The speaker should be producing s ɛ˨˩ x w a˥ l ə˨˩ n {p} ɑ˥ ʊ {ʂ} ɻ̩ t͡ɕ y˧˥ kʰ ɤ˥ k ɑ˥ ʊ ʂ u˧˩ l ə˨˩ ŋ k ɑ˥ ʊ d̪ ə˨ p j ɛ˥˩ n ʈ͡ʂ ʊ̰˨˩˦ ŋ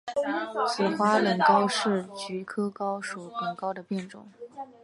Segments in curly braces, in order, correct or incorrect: incorrect: k, correct

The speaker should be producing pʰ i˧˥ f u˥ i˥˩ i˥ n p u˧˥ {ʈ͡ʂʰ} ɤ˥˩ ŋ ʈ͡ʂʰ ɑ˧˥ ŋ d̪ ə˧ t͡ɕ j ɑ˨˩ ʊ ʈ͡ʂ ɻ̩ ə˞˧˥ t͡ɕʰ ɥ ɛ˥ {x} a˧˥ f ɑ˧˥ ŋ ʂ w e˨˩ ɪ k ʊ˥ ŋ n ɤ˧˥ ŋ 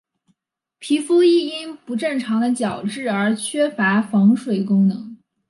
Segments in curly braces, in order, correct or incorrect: incorrect: ʈ͡ʂ, incorrect: f

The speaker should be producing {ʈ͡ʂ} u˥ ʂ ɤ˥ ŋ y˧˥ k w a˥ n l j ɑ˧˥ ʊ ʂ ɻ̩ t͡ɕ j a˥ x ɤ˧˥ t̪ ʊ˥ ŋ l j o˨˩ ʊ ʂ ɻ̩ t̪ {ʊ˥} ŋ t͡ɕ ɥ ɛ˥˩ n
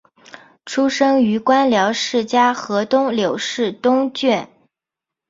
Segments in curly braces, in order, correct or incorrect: incorrect: ʈ͡ʂʰ, correct

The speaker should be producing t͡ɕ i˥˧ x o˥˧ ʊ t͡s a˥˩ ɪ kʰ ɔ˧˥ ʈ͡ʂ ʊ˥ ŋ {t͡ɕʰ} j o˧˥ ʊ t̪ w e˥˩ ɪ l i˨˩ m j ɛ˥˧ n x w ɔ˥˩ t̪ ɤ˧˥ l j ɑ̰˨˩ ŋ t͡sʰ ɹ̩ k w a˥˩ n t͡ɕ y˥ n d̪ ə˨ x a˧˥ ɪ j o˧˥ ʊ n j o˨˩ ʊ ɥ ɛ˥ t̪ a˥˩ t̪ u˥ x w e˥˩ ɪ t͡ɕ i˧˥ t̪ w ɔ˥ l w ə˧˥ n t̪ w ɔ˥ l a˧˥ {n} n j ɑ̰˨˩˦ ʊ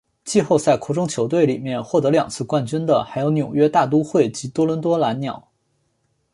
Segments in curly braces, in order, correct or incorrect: correct, correct

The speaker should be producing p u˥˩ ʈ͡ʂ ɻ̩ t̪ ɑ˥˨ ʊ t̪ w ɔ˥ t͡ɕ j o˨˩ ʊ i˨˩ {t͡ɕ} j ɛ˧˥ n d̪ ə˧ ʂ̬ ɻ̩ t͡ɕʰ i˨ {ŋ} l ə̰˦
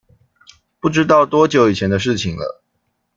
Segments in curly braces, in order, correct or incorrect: incorrect: t͡ɕʰ, correct

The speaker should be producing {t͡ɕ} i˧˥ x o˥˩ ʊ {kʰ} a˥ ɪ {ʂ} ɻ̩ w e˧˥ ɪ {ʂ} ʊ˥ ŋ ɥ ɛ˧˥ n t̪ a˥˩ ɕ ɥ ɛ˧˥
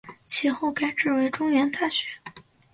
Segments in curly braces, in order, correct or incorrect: incorrect: t͡ɕʰ, incorrect: k, incorrect: ʈ͡ʂ, incorrect: ʈ͡ʂ

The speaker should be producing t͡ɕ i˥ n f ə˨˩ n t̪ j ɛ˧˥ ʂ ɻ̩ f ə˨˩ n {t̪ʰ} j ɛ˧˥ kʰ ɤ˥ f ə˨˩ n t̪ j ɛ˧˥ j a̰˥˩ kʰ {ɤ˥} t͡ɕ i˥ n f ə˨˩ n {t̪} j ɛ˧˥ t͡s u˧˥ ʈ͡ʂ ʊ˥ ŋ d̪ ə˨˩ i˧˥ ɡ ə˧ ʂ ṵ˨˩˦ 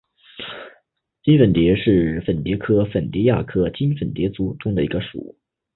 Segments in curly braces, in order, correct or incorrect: incorrect: t̪, correct, correct

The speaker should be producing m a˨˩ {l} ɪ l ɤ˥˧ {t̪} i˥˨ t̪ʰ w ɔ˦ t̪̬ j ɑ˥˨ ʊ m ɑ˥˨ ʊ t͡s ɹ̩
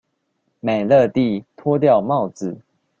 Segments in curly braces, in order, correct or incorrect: incorrect: none, correct

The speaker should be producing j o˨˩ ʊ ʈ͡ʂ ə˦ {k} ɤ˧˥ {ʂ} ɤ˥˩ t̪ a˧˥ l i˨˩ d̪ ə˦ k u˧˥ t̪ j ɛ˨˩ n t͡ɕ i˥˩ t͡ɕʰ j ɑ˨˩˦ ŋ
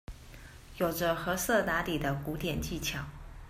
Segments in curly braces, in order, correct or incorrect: incorrect: x, incorrect: s

